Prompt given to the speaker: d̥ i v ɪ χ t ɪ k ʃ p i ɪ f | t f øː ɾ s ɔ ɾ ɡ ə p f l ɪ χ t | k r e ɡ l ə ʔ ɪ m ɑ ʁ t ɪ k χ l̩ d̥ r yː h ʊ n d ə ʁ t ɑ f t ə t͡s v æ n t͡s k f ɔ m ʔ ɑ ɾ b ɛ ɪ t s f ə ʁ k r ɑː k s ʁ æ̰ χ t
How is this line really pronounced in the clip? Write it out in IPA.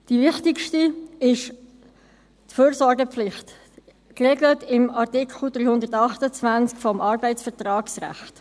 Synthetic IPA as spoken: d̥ i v ɪ χ t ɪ k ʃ t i ɪ ʃ | t f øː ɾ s ɔ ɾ ɡ ə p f l ɪ χ t | k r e ɡ l ə t ɪ m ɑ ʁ t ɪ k χ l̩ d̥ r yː h ʊ n d ə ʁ t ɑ χ t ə t͡s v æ n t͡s k f ɔ m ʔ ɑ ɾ b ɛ ɪ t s f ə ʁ t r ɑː k s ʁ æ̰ χ t